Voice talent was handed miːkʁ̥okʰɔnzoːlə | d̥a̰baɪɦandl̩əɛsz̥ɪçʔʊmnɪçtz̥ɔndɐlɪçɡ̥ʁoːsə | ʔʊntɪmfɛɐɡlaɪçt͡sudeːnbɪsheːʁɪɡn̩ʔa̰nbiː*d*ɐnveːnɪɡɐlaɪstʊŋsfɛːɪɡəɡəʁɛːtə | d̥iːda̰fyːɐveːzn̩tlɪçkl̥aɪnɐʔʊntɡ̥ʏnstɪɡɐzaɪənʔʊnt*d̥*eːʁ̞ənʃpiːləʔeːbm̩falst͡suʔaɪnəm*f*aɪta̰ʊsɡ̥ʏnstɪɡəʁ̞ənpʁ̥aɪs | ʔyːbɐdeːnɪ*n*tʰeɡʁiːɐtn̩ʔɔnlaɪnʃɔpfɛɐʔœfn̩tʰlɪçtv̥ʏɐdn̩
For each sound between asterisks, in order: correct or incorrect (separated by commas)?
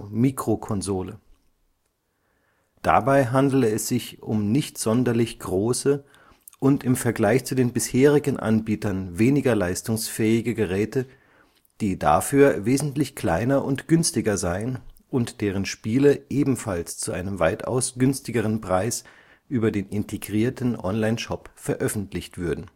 incorrect, correct, incorrect, correct